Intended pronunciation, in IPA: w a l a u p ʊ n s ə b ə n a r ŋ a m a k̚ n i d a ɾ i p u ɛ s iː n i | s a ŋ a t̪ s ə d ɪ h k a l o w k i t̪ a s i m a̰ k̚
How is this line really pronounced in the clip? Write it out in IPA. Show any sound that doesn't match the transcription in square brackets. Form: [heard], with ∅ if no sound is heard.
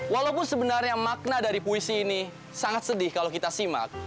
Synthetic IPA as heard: w a l a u p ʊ n s ə b ə n a r [ɲ] a m a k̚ n [a] d a ɾ i p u [i] s iː n i | s a ŋ a t̪ s ə d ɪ h k a l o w k i t̪ a s i m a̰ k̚